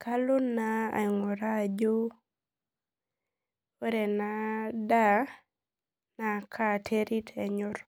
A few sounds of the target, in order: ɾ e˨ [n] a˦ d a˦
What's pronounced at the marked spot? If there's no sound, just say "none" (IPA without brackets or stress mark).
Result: n